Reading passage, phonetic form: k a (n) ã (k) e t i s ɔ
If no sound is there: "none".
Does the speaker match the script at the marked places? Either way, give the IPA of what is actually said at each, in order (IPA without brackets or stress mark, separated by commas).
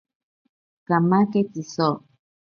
m, k